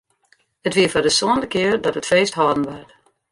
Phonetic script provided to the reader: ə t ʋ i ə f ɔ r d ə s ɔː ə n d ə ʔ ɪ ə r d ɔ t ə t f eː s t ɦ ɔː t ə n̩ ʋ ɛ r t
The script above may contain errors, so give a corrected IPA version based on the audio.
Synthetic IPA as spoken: ə t ʋ i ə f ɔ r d ə s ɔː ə n d ə k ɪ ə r d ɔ t ə t f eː s t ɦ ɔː d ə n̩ ʋ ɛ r t